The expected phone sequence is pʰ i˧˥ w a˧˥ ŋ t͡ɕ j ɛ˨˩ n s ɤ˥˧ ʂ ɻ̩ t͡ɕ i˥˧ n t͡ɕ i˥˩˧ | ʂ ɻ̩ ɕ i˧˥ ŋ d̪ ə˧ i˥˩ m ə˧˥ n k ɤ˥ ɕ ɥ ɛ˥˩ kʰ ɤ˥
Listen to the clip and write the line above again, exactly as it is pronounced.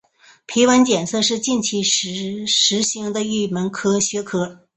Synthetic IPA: pʰ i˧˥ w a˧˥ n t͡ɕ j ɛ˨˩ n s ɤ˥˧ ʂ ɻ̩ t͡ɕ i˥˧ n t͡ɕʰ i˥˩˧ | ʂ ɻ̩ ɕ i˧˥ ŋ d̪ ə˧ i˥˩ m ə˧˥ n kʰ ɤ˥ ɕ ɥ ɛ˧˥ kʰ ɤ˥